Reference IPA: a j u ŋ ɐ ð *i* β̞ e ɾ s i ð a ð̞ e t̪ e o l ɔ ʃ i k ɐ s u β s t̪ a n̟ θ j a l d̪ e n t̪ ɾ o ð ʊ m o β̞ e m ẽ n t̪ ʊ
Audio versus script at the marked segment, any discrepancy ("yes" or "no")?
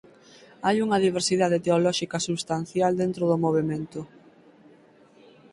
no